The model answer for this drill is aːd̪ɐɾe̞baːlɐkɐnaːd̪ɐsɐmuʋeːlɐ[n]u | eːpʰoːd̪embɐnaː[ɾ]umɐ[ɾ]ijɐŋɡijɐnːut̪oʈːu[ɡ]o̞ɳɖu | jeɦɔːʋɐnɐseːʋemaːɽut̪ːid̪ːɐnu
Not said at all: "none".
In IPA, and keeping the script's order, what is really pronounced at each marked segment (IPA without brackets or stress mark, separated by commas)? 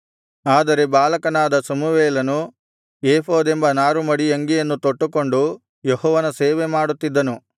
n, ɾ, ɽ, k